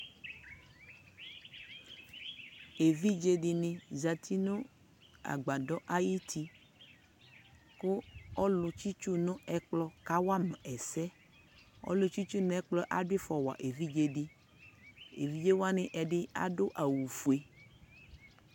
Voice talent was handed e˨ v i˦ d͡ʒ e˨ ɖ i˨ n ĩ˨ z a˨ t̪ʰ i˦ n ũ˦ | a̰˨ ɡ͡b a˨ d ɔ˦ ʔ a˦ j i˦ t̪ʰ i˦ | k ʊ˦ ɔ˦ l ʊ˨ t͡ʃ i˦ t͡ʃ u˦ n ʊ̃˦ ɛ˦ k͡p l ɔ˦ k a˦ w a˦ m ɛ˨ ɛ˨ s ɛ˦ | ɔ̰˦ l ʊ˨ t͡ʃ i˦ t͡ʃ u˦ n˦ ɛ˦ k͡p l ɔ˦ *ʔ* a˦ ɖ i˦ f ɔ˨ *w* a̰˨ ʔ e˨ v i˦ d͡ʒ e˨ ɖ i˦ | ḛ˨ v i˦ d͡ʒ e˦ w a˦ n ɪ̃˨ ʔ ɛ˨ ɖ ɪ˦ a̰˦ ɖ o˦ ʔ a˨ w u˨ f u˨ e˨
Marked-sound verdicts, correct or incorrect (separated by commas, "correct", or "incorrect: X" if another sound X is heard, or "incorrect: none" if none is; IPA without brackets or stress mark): correct, correct